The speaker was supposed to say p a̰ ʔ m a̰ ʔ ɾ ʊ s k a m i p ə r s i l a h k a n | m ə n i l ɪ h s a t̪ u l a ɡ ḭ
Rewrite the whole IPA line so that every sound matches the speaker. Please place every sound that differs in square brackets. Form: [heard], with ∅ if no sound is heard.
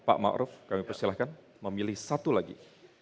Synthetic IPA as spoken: p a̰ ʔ m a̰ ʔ ɾ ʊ [f] k a m i p ə r s i l a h k a n | m ə [m] i l ɪ h s a t̪ u l a ɡ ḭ